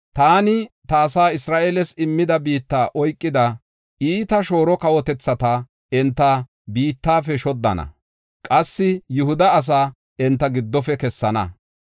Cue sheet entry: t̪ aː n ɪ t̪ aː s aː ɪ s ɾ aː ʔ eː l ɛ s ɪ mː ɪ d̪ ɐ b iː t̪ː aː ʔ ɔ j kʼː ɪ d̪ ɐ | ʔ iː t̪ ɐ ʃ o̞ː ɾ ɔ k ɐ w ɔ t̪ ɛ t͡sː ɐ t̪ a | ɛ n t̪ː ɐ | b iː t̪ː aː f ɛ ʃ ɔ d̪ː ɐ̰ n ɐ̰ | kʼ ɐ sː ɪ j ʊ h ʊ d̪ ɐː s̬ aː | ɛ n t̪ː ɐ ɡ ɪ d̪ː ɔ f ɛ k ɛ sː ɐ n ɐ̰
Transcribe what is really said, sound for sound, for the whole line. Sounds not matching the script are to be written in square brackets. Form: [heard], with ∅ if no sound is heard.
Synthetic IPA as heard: t̪ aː n ɪ t̪ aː s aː ɪ s ɾ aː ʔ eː l ɛ s ɪ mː ɪ d̪ ɐ b iː t̪ː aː ʔ ɔ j kʼː ɪ d̪ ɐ | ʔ iː t̪ ɐ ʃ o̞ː ɾ ɔ k ɐ w ɔ t̪ ɛ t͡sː ɐ t̪ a | ɛ n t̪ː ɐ | b iː t̪ː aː f ɛ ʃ ɔ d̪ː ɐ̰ n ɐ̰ | kʼ ɐ sː ɪ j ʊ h ʊ d̪ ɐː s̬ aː | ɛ n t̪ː ɐ ɡ ɪ d̪ː ɔ f ɛ k ɛ sː ɐ n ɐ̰